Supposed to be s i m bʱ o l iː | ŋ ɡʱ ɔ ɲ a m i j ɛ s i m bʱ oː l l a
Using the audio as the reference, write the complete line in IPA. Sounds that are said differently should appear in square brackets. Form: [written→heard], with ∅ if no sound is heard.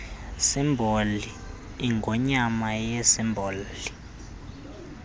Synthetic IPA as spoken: s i m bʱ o l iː | ŋ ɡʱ ɔ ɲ a m [i→a] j ɛ s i m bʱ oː l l [a→i]